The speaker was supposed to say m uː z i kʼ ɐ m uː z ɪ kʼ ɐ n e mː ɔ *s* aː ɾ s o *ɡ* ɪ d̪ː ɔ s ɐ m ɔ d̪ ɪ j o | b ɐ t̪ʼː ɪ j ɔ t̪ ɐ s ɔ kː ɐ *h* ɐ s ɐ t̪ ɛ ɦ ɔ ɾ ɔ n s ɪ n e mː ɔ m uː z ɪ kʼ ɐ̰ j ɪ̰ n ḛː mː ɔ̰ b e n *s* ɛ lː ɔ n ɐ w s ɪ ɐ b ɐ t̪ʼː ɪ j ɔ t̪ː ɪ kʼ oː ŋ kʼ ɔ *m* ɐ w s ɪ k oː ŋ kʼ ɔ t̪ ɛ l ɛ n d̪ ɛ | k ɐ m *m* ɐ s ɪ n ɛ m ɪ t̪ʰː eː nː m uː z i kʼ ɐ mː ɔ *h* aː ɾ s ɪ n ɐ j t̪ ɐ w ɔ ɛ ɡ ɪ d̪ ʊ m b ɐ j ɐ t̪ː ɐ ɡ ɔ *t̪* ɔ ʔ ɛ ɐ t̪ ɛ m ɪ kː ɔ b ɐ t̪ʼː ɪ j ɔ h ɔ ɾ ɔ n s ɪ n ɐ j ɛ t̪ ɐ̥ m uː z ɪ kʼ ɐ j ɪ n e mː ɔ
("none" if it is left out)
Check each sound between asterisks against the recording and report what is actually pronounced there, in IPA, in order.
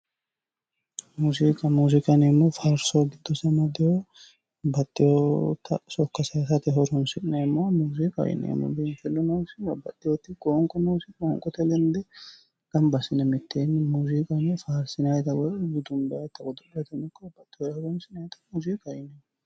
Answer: f, ɡ, s, f, n, b, f, d̪

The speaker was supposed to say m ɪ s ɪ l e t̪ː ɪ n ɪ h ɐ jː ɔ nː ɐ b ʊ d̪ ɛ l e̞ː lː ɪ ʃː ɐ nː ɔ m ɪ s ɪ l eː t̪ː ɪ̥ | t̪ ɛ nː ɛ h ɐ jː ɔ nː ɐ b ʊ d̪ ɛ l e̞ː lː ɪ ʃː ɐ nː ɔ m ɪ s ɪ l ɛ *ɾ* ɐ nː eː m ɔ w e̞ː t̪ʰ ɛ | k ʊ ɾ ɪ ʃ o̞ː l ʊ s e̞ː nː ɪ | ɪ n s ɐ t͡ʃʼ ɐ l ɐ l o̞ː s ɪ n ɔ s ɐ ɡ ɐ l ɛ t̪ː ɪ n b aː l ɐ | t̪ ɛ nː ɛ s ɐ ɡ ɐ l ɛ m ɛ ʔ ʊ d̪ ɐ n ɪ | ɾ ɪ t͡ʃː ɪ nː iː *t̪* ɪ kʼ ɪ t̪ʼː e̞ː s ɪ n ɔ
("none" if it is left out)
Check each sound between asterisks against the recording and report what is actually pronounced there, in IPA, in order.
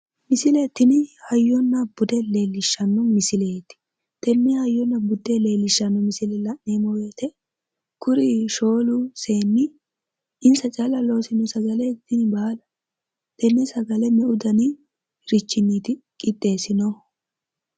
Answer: l, t̪

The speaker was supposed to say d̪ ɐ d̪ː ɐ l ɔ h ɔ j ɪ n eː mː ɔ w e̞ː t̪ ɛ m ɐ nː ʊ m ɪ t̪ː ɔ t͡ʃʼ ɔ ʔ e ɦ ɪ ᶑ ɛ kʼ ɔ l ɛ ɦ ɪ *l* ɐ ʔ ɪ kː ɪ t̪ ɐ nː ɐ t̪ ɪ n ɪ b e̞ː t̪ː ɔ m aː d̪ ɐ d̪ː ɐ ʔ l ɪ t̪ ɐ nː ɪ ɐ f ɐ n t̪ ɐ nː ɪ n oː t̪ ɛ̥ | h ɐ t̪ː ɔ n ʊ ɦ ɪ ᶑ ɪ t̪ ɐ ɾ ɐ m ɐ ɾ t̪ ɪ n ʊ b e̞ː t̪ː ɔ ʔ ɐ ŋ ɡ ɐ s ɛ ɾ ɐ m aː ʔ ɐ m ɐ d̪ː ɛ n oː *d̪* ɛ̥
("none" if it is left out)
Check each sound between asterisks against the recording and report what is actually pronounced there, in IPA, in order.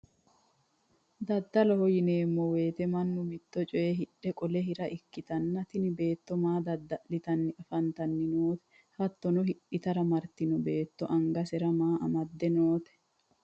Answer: ɾ, t̪

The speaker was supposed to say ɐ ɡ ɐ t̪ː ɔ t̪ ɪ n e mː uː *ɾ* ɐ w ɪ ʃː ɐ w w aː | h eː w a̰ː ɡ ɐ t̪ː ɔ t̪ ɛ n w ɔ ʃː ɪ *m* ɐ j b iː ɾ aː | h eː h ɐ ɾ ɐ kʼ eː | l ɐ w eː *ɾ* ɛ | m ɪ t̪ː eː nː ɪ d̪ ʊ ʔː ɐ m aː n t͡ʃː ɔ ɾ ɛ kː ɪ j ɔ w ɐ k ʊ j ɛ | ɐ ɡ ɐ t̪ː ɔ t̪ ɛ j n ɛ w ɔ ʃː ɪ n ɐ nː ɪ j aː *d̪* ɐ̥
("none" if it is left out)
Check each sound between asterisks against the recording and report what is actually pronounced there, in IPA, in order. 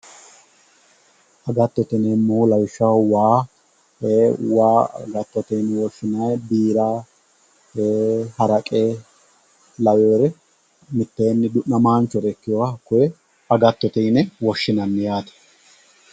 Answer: l, n, ɾ, t̪

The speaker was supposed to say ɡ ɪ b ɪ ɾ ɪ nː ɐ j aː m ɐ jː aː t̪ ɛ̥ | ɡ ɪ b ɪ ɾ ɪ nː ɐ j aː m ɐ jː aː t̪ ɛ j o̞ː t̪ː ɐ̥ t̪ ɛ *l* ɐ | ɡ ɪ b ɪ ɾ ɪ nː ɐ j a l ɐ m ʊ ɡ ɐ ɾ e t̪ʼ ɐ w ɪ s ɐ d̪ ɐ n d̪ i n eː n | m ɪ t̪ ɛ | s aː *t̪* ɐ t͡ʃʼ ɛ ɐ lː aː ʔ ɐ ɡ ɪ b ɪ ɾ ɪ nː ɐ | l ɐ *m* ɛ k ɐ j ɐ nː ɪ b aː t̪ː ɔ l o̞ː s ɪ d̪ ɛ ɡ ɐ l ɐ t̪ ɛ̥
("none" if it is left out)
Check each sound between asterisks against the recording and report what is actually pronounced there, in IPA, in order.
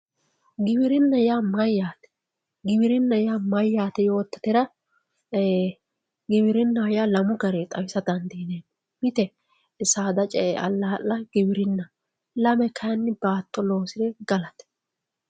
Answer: ɾ, d̪, m

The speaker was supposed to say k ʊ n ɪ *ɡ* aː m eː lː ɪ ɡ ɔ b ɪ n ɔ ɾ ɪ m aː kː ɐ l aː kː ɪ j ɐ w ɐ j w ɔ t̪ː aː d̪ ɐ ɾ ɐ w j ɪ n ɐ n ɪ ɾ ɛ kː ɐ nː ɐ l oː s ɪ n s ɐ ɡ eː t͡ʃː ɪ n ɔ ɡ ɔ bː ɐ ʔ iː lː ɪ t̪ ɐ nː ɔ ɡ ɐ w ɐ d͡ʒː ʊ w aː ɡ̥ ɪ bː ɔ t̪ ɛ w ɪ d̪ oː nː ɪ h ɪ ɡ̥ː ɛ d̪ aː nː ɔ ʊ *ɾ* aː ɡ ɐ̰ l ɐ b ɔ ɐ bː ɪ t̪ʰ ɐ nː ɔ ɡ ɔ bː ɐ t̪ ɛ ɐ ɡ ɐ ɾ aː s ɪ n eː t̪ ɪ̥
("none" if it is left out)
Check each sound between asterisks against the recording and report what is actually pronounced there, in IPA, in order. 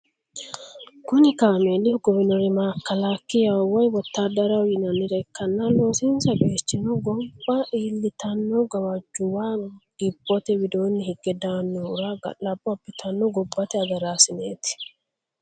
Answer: k, ɾ

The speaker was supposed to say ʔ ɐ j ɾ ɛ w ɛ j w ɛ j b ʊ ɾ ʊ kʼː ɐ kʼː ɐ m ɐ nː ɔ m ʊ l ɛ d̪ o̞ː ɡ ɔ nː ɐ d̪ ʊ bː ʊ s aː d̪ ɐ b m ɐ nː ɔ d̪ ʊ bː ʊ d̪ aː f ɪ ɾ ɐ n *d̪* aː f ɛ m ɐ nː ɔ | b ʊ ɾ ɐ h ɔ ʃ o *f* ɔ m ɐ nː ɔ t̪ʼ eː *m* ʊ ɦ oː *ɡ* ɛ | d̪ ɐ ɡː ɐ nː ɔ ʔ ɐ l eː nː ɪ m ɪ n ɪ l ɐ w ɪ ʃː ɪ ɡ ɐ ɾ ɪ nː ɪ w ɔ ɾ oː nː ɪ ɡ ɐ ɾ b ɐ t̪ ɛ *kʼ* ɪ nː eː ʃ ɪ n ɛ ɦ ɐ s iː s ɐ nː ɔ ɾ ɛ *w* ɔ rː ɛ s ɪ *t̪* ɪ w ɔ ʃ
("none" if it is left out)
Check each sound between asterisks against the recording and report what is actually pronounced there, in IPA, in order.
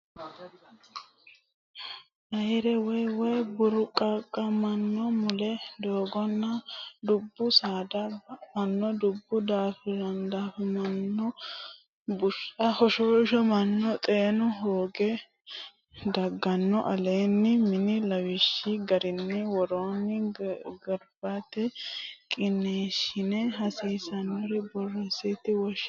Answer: d̪, ʃ, n, ɡ, kʼ, b, t̪

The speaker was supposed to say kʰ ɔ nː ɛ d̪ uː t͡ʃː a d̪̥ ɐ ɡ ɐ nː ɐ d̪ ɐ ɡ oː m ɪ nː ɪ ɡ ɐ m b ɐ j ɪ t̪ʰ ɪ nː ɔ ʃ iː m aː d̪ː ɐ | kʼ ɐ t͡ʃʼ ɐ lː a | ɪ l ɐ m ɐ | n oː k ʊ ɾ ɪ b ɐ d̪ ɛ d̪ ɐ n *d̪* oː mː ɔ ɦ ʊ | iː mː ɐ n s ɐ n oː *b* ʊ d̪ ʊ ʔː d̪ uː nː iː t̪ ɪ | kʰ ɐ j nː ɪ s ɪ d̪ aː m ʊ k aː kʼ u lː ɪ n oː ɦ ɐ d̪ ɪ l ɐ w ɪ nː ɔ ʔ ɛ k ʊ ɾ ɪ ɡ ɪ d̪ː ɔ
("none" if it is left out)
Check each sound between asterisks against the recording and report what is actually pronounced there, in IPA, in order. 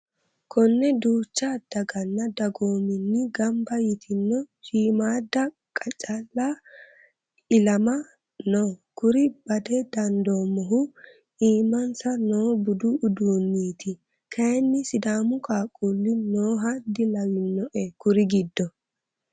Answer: d̪, b

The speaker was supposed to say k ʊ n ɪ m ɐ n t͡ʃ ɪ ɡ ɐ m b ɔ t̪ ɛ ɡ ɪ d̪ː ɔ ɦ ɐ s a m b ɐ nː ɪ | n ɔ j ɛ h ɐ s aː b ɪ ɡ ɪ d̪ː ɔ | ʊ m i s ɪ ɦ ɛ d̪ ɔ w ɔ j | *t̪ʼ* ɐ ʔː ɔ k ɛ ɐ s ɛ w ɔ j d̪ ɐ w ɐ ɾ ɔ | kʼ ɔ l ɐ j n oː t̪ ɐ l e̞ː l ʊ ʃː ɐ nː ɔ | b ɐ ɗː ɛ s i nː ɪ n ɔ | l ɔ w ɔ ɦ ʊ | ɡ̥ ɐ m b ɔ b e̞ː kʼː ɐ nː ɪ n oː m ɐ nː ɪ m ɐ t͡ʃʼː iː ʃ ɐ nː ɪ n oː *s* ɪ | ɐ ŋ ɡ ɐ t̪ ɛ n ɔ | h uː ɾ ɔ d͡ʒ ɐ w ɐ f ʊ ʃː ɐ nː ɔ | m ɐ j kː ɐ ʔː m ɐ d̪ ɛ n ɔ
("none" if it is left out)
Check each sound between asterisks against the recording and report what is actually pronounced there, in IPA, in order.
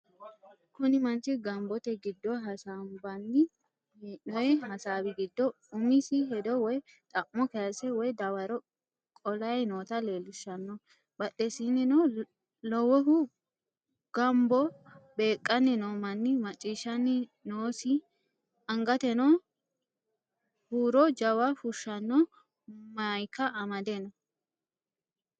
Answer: t̪ʼ, s

